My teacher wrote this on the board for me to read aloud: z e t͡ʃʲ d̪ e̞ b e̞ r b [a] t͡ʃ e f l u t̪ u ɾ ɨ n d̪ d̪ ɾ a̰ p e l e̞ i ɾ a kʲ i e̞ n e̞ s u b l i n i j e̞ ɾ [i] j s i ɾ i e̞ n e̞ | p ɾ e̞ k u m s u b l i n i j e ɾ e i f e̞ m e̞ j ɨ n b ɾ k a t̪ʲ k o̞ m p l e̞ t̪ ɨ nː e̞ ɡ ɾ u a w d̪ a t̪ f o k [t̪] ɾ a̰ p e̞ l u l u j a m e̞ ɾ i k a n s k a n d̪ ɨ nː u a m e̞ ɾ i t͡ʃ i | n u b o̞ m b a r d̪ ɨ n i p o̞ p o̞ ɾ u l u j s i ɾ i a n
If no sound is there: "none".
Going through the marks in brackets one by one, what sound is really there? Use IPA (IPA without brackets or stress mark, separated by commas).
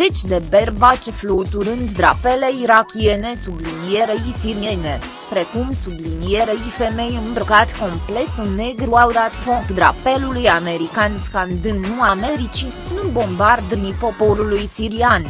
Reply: a, e, d̪